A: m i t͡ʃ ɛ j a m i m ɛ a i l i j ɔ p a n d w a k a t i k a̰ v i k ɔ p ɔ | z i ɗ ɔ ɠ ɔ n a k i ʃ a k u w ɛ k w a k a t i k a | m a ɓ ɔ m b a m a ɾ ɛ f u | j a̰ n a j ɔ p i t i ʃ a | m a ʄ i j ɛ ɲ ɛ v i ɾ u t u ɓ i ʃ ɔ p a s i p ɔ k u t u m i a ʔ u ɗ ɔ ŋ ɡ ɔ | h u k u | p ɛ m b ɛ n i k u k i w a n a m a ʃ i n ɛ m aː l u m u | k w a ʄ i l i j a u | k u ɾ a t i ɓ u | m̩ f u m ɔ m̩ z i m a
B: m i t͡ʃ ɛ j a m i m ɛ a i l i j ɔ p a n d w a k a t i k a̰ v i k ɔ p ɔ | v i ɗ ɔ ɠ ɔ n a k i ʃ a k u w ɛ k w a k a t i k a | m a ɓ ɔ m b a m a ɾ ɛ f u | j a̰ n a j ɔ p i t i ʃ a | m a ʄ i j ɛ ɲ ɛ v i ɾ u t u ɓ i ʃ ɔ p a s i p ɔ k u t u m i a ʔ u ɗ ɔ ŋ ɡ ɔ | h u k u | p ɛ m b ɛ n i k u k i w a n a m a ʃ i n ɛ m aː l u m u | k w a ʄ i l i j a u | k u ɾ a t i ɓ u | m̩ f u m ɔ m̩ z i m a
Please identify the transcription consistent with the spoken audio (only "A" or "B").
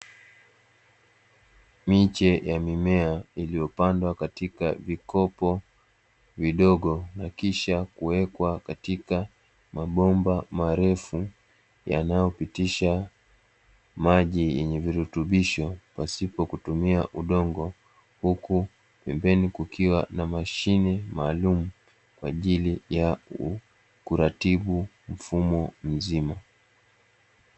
B